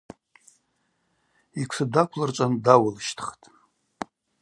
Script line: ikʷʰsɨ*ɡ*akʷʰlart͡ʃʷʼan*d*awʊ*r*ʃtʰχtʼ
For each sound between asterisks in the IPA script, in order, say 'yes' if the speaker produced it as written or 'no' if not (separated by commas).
no, yes, no